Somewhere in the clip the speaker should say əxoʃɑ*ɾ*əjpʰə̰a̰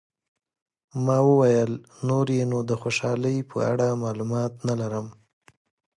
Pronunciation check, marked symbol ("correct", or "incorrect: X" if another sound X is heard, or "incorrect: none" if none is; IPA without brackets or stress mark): incorrect: l